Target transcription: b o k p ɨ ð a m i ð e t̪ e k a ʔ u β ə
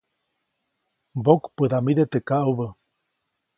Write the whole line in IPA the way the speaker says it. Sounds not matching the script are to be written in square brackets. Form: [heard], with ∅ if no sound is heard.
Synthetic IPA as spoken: b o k p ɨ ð a m i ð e t̪ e k a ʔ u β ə